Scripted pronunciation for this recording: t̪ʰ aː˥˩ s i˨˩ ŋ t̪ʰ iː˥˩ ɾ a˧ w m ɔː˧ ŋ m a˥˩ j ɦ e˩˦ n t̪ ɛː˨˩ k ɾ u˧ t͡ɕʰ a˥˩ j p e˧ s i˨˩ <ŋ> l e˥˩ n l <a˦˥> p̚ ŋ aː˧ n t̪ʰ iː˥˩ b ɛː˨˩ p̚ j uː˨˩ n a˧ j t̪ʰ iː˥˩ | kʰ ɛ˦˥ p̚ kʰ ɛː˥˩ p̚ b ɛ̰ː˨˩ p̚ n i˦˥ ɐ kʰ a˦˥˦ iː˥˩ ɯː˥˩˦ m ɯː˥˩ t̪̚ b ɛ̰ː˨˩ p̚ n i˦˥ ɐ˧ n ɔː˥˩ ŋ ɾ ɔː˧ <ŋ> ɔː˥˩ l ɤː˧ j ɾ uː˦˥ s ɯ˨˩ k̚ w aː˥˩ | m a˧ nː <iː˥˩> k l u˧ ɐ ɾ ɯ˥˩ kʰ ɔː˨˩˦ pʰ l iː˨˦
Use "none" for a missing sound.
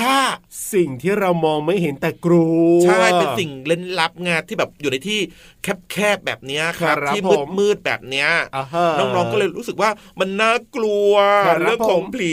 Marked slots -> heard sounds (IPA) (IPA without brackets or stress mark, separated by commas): ŋ, a˦˥, ŋ, aː˥˩